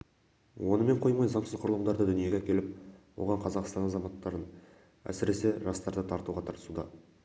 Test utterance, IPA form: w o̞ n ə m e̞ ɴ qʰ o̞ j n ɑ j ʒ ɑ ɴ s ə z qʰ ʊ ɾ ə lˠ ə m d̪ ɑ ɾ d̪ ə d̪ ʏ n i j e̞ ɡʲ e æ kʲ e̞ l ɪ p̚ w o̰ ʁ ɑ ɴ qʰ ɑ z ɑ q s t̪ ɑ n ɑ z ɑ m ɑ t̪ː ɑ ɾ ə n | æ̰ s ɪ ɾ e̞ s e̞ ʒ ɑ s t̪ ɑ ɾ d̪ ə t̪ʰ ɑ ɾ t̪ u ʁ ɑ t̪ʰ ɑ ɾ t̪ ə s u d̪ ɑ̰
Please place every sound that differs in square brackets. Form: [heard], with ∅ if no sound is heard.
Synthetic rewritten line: w o̞ n ə m e̞ ɴ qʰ o̞ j [m] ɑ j [z] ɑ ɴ s ə z qʰ ʊ ɾ ə lˠ ə m d̪ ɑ ɾ d̪ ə d̪ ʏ n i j e̞ ɡʲ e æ kʲ e̞ l ɪ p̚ w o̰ ʁ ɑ ɴ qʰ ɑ z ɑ q s t̪ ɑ n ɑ z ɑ m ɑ t̪ː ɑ ɾ ə n | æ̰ s ɪ ɾ e̞ s e̞ ʒ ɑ s t̪ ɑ ɾ d̪ ə t̪ʰ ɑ ɾ t̪ u ʁ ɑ t̪ʰ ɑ ɾ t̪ ə s u d̪ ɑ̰